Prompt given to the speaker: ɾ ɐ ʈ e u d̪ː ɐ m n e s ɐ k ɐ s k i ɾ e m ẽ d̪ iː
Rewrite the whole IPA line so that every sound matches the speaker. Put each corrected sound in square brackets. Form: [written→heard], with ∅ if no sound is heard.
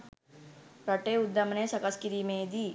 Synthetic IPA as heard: ɾ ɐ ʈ e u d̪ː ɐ m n e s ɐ k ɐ s k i ɾ [e→i] m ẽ d̪ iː